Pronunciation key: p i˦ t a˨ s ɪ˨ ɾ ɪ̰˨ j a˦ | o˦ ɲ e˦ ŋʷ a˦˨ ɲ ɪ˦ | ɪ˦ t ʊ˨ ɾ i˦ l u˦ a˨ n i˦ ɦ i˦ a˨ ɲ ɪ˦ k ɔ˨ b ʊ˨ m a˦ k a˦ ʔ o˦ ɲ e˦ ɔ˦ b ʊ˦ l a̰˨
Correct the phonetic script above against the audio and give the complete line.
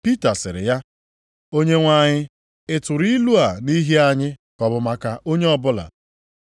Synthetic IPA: p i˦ t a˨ s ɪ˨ ɾ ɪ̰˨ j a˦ | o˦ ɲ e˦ ŋʷ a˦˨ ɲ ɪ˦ | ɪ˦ t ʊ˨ ɾ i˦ l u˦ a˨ n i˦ ɦ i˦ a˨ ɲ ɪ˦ k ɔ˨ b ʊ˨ m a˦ k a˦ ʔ o˦ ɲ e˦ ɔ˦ b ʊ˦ l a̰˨

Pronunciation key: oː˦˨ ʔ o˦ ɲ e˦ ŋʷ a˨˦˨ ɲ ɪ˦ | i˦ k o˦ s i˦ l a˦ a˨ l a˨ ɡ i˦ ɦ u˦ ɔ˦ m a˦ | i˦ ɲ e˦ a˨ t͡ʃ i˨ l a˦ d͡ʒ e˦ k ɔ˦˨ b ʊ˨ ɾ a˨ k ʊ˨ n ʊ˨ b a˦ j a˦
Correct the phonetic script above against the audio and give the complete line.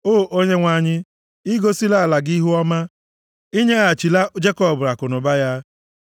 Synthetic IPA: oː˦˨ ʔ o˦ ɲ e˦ ŋʷ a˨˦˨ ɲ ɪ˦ | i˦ ɡ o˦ s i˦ l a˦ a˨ l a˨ ɡ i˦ ɦ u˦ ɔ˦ m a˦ | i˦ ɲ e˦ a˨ t͡ʃ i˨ l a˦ d͡ʒ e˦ k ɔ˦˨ b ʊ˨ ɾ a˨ k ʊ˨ n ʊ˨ b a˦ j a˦

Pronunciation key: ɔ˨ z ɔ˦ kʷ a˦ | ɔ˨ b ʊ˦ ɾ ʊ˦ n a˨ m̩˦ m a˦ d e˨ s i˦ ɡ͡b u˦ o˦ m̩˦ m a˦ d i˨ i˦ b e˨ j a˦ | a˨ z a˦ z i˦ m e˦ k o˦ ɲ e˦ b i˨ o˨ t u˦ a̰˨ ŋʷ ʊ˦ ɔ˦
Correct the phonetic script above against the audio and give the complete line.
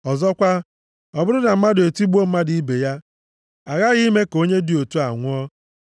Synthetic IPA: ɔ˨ z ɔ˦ kʷ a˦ | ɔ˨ b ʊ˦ ɾ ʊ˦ n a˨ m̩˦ m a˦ d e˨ t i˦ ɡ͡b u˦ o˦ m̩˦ m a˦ d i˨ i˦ b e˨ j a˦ | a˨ ɣ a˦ ɣ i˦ m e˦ k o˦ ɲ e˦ d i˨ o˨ t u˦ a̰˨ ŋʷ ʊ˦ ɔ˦

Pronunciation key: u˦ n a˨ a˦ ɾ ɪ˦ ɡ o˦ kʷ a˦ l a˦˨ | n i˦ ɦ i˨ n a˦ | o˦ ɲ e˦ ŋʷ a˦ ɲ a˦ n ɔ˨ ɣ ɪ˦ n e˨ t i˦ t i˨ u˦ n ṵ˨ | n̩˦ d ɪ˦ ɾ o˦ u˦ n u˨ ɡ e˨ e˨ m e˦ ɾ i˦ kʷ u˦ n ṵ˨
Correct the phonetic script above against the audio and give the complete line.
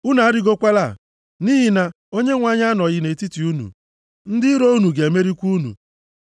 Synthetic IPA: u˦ n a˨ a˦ ɾ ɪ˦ ɡ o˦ kʷ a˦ l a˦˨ | n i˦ ɦ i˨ n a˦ | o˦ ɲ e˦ ŋʷ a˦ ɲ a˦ n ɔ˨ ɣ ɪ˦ n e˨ t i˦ t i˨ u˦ n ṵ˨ | n̩˦ d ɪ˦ ɾ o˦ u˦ n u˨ ɡ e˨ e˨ m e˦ ɾ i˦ kʷ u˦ n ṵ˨

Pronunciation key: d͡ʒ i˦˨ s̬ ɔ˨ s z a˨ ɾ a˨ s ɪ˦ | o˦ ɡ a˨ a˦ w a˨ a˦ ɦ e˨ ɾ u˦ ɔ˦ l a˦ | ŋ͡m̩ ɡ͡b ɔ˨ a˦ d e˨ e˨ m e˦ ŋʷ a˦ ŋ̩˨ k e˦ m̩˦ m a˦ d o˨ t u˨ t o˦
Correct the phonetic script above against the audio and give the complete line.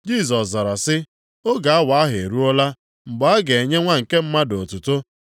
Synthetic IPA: d͡ʒ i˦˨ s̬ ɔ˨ s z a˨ ɾ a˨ s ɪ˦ | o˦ ɡ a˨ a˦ w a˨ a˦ ɦ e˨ ɾ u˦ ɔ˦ l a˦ | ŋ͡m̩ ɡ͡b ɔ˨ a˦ ɡ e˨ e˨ ɲ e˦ ŋʷ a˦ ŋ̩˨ k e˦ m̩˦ m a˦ d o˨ t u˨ t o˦

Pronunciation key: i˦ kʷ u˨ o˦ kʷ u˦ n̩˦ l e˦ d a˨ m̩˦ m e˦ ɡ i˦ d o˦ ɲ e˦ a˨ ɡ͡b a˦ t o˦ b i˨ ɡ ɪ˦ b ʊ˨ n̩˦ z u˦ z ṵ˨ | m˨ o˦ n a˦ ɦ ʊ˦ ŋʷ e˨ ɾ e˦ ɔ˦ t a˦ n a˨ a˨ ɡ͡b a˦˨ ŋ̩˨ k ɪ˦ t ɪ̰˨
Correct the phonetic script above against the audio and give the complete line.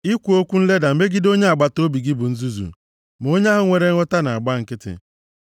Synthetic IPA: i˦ kʷ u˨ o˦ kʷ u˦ n̩˦ l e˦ d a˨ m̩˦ m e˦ ɡ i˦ d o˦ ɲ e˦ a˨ ɡ͡b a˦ t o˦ b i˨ ɡ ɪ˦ b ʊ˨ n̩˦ z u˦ z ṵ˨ | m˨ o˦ ɲ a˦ ɦ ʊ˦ ŋʷ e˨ ɾ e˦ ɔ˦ t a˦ n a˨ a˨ ɡ͡b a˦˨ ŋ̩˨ k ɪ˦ t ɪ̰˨

